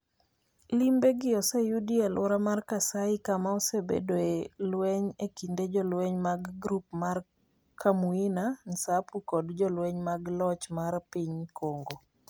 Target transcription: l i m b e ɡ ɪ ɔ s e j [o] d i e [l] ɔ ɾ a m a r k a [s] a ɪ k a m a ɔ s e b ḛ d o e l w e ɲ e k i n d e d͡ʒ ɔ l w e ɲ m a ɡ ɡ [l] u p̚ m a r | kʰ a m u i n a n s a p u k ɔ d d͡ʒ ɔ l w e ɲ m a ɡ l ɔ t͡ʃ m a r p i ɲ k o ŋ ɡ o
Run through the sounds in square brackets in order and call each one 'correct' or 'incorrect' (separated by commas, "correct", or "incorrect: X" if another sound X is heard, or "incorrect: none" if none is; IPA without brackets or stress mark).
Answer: incorrect: u, correct, correct, incorrect: ɾ